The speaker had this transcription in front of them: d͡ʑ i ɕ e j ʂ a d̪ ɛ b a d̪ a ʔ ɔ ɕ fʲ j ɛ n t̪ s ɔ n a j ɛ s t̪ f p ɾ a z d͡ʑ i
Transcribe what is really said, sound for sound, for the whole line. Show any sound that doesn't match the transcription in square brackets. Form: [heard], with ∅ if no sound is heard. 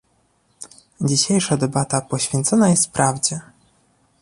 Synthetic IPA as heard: d͡ʑ i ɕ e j ʂ a d̪ ɛ b a [t̪] a [p] ɔ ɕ fʲ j ɛ n t̪ s ɔ n a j ɛ s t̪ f p ɾ a [v] d͡ʑ [ɛ]